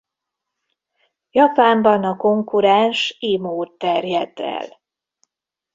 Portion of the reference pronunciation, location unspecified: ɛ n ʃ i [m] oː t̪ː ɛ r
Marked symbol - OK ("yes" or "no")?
yes